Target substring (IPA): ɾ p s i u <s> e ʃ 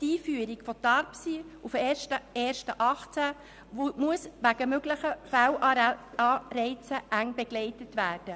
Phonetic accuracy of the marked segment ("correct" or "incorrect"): incorrect